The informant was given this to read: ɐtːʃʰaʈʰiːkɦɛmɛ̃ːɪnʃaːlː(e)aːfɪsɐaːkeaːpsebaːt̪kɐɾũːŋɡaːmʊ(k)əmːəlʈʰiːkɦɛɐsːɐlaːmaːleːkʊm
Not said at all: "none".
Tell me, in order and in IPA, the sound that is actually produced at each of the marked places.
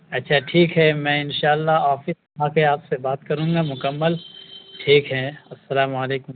a, k

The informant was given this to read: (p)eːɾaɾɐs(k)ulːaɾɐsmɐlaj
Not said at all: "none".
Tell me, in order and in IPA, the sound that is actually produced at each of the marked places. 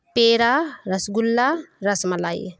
p, ɡ

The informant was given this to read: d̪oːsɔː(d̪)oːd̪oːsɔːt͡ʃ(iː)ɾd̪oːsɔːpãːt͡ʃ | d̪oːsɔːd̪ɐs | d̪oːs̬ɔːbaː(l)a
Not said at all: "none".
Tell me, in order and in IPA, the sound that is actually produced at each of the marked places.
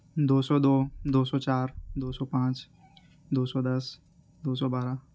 d̪, aː, ɾ

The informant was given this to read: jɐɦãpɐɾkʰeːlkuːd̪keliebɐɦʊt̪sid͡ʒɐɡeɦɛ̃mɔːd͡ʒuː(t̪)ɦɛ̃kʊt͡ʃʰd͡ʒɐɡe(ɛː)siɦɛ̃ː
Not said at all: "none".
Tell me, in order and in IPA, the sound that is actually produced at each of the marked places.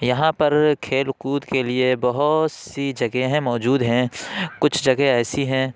d̪, ɛː

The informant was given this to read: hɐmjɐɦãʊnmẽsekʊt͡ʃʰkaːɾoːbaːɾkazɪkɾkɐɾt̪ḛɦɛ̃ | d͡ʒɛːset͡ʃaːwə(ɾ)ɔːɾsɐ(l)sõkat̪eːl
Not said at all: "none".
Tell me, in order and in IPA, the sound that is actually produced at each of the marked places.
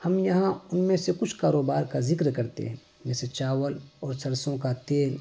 l, ɾ

